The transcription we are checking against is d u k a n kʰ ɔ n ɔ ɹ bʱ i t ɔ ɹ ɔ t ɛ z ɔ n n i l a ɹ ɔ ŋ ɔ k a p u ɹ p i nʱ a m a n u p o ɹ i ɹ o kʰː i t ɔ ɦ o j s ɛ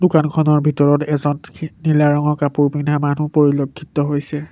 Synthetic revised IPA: d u k a n kʰ ɔ n ɔ ɹ bʱ i t ɔ ɹ ɔ t ɛ z ɔ n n i l a ɹ ɔ ŋ ɔ k a p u ɹ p i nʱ a m a n u p o ɹ i l o kʰː i t ɔ ɦ o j s ɛ